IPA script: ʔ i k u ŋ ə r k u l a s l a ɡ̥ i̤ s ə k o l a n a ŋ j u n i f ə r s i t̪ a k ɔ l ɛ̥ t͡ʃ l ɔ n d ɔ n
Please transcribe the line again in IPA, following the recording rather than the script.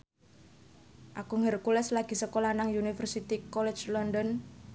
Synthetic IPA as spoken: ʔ a k u ŋ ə r k u l ɛ s l a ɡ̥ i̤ s ə k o l a n a ŋ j u n i f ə r s i t̪ i k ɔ l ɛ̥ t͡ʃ l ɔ n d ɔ n